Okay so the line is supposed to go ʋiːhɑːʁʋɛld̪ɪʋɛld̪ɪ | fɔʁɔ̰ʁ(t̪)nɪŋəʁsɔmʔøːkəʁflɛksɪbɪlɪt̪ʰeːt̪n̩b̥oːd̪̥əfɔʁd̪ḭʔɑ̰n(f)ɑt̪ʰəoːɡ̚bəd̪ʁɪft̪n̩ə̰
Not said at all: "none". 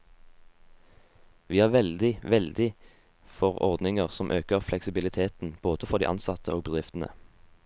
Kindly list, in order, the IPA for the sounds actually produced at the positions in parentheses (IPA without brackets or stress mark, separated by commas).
d̪, s